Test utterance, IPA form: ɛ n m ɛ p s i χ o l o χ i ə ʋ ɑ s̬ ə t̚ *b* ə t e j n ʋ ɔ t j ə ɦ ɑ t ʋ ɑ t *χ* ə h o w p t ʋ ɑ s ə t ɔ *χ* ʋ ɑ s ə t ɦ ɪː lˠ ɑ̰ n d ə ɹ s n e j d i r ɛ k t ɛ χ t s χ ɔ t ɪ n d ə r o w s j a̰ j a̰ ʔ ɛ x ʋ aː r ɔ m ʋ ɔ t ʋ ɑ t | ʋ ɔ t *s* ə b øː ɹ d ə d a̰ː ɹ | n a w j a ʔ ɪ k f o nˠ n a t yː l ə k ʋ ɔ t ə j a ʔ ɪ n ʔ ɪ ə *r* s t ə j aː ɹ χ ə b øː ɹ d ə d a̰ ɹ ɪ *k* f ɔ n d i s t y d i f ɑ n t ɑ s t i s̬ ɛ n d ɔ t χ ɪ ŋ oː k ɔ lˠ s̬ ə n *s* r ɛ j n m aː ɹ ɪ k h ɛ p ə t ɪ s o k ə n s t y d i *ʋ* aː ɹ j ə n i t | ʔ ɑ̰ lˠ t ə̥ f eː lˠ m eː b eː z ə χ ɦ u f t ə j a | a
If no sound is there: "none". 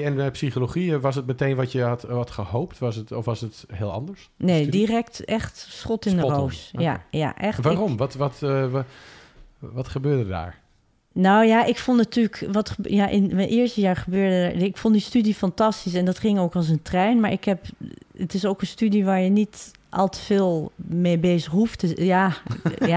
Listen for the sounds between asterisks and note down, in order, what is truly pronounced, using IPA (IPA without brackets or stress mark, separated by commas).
m, χ, f, χ, ɹ, k, t, ʋ